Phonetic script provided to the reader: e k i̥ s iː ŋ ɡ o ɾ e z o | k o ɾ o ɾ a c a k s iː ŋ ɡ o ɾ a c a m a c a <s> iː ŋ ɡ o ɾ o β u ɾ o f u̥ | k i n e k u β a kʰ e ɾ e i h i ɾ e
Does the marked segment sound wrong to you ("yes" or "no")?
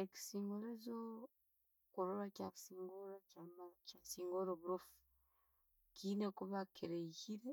no